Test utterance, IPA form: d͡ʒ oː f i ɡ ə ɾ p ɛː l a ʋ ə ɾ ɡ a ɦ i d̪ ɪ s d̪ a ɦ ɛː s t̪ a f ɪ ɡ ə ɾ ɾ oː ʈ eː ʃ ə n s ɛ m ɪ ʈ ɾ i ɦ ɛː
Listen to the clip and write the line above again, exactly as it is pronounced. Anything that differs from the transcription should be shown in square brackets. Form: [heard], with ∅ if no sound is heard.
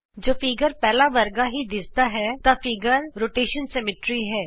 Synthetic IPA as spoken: d͡ʒ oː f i ɡ ə ɾ p ɛː l a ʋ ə ɾ ɡ a ɦ i d̪ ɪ s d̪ a ɦ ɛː [∅] t̪ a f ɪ ɡ ə ɾ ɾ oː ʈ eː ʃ ə n s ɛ m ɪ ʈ ɾ i ɦ ɛː